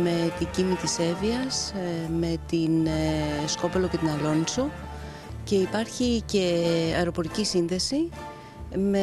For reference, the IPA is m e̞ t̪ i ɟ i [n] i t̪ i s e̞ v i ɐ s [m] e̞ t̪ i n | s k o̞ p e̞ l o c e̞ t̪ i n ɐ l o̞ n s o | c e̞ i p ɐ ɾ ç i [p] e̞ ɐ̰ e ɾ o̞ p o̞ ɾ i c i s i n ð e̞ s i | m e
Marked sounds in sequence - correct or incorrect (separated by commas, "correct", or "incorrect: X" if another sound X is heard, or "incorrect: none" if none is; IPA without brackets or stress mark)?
incorrect: m, correct, incorrect: c